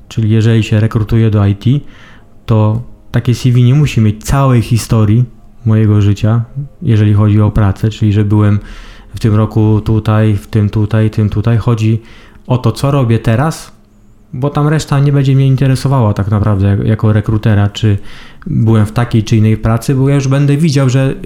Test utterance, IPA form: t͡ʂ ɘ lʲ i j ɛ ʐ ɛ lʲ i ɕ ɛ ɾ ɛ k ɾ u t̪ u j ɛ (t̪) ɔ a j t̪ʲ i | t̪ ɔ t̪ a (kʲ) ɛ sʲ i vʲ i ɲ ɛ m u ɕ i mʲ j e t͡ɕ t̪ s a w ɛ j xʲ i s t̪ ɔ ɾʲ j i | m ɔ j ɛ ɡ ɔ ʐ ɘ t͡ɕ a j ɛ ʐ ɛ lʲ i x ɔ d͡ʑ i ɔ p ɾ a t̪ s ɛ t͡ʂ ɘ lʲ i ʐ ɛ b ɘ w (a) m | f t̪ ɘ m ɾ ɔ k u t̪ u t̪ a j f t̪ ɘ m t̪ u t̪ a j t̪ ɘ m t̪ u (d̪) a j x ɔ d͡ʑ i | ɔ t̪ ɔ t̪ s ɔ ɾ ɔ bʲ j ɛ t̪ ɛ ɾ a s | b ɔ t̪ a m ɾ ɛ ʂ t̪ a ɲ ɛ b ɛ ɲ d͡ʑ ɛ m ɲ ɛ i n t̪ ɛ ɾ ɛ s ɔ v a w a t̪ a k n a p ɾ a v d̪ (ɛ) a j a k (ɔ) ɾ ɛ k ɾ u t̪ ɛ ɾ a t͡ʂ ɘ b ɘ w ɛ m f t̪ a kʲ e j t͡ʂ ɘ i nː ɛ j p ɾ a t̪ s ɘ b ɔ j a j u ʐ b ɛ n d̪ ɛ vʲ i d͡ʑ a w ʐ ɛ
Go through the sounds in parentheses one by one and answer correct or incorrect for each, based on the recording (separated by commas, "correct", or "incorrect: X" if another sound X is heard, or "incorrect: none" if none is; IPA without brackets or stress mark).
incorrect: d̪, correct, incorrect: ɛ, incorrect: t̪, correct, correct